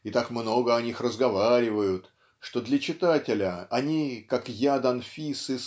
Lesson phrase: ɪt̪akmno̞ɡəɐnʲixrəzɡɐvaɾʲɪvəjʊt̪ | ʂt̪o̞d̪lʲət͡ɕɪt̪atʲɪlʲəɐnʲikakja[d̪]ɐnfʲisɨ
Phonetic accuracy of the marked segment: correct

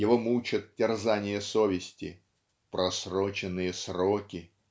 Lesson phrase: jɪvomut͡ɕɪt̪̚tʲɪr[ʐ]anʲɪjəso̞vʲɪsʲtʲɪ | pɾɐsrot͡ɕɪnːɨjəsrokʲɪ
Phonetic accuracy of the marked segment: incorrect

